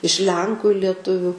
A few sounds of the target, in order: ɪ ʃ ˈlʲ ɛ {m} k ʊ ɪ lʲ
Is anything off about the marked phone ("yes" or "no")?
yes